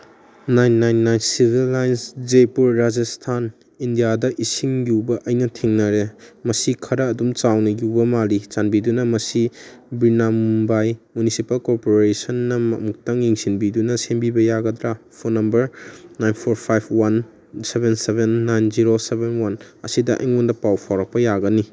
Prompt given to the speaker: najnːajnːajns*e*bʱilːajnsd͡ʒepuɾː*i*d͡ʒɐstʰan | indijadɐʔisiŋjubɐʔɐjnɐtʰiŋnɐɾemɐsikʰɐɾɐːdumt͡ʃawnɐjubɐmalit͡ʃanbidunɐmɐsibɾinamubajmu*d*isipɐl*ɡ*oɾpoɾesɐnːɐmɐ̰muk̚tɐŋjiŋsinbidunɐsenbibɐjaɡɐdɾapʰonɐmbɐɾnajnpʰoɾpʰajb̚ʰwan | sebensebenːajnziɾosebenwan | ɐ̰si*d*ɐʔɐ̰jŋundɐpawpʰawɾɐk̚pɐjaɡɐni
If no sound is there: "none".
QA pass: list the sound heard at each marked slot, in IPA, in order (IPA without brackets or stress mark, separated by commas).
i, a, n, k, d